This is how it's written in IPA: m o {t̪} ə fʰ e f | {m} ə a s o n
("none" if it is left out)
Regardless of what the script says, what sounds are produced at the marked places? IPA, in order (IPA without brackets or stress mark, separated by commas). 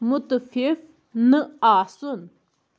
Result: t̪, n